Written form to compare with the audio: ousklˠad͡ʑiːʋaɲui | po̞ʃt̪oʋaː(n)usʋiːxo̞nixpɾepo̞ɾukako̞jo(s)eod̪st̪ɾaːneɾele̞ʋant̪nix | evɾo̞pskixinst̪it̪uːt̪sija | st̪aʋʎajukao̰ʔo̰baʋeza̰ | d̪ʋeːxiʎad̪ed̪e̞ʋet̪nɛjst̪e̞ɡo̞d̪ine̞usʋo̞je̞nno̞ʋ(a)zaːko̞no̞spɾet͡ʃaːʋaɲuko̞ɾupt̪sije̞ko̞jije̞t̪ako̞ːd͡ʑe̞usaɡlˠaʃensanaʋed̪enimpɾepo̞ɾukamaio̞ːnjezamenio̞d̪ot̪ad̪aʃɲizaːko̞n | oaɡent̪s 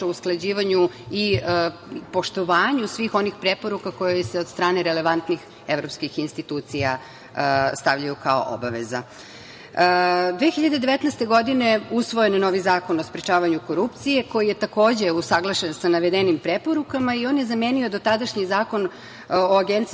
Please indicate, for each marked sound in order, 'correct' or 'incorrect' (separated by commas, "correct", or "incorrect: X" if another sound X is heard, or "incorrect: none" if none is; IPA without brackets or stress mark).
incorrect: ɲ, correct, incorrect: i